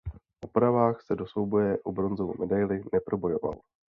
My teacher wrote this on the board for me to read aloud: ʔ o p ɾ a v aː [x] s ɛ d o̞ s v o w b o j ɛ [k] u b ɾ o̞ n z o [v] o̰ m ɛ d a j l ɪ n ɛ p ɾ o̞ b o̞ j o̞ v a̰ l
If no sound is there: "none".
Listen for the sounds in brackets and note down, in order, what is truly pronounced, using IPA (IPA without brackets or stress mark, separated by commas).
x, ʔ, v